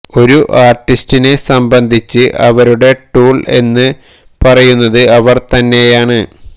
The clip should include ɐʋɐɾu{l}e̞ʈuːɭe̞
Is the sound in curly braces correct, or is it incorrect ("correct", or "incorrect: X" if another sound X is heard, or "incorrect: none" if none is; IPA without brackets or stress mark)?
incorrect: ɽ